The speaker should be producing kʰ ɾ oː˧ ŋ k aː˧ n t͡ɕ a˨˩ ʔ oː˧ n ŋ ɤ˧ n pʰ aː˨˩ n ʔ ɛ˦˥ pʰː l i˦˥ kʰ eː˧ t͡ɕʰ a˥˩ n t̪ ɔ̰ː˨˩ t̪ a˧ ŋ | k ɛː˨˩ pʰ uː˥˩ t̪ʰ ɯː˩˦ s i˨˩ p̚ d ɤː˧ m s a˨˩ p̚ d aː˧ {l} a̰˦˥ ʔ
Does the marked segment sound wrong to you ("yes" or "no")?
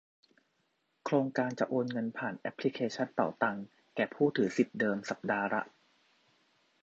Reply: yes